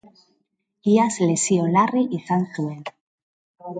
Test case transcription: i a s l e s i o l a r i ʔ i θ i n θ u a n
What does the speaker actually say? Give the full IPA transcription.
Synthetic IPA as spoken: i a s l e s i o l a r i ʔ i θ a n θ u e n